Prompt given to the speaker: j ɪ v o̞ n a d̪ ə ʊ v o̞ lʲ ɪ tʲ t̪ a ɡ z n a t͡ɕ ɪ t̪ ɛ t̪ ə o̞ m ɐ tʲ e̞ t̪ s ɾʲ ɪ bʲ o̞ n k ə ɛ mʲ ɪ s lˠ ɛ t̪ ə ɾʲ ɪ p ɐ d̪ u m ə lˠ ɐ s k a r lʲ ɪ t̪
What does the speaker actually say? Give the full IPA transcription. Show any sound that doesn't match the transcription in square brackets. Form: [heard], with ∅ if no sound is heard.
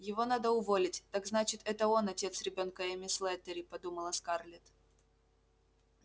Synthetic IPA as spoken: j ɪ v o̞ n a d̪ ə ʊ v o̞ lʲ ɪ tʲ t̪ a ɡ z n a t͡ɕ ɪ t̪ ɛ t̪ ə o̞ [n] ɐ tʲ e̞ t̪ s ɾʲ ɪ bʲ o̞ n k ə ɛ mʲ ɪ s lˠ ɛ t̪ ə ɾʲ ɪ p ɐ d̪ u m ə lˠ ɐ s k a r lʲ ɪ t̪